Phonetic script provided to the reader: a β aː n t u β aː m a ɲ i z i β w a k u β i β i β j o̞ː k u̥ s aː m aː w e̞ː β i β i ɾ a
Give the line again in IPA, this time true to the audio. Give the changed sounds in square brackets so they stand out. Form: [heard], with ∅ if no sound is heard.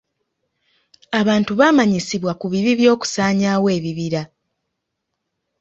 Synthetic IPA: a β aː n t u β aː m a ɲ i [s] i β w a k u β i β i β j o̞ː k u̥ s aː [ɲ] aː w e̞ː β i β i ɾ a